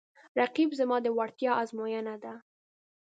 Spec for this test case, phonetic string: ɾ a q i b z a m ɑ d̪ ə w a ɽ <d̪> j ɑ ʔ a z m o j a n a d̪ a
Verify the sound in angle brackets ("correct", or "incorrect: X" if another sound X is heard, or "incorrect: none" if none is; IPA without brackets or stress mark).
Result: incorrect: t̪